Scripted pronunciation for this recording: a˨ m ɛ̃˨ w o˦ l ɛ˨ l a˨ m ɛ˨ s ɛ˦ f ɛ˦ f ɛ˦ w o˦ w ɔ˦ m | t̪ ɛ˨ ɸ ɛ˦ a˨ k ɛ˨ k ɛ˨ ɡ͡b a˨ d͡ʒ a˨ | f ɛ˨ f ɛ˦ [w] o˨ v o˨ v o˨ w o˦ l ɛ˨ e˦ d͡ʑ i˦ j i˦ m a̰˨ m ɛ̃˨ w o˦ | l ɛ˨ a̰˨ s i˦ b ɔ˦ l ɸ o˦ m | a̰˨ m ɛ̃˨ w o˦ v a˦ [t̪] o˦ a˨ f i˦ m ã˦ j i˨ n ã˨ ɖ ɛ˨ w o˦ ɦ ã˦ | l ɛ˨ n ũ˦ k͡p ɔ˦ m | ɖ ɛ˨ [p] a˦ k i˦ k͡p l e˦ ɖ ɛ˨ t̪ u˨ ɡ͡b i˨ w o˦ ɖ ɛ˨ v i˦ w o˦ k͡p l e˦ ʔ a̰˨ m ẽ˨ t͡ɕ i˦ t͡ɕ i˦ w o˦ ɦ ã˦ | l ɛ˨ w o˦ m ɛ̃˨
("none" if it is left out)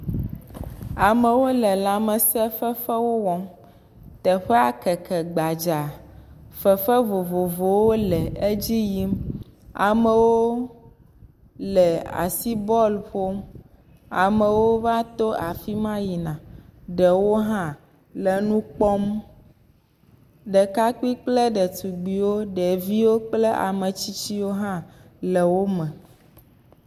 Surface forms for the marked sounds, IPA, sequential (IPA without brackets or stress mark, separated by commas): v, t̪, k